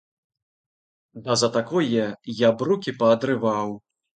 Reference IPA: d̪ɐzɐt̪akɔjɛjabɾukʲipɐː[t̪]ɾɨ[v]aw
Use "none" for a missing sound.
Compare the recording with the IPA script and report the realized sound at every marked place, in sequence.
d̪, v

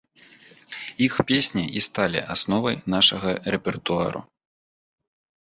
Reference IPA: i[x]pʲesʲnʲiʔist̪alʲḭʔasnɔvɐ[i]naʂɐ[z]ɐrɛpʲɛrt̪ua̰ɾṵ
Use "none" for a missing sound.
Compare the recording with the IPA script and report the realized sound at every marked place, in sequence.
x, j, ɣ

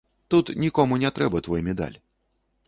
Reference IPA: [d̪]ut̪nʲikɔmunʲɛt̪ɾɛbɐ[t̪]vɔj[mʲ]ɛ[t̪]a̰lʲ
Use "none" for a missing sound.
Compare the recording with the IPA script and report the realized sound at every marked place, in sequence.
t̪, t̪, mʲ, d̪

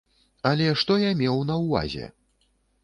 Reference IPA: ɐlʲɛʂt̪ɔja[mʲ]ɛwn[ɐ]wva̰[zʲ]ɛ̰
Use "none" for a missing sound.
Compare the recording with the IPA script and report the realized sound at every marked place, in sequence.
mʲ, ɐ, zʲ

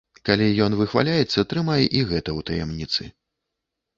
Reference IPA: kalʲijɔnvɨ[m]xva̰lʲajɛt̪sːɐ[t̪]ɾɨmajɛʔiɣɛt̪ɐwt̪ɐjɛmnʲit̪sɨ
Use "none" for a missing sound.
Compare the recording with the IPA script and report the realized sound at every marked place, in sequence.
none, t̪

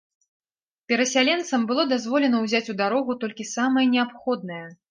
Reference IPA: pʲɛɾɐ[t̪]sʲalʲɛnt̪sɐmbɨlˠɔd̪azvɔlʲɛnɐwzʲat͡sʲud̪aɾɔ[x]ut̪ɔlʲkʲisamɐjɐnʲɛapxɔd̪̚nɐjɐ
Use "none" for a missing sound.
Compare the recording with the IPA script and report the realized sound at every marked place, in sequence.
none, ɣ

